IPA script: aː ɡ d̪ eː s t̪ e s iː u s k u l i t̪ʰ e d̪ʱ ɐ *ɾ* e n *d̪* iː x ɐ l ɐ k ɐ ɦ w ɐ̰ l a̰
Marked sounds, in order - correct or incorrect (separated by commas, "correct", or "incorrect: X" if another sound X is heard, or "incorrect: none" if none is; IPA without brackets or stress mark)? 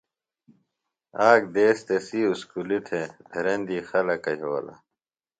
correct, correct